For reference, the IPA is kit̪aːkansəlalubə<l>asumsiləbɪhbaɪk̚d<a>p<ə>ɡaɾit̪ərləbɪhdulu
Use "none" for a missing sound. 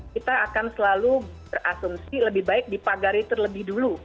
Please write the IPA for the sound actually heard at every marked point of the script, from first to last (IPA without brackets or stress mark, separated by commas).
r, i, a